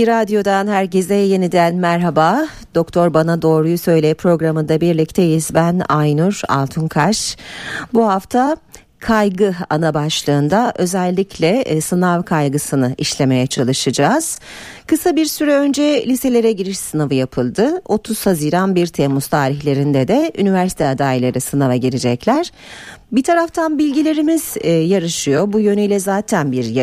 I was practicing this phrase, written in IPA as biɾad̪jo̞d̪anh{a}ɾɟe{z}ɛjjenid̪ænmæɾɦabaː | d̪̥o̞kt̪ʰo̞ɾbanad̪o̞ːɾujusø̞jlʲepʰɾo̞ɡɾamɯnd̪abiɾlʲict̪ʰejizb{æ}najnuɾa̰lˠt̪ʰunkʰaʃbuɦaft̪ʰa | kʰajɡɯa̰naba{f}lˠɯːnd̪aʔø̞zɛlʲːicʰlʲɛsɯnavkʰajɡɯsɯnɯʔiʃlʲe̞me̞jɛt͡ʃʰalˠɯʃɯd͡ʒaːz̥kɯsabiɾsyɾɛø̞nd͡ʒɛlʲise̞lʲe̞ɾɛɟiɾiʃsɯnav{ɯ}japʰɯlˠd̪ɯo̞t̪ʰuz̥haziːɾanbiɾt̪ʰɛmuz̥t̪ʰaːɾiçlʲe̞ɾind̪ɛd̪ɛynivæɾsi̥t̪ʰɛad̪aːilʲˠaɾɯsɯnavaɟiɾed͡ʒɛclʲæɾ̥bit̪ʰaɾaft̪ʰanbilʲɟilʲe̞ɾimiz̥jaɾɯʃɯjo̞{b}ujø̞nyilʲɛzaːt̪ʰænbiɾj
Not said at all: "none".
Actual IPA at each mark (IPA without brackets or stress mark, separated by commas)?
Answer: æ, z, æ, ʃ, ɯ, b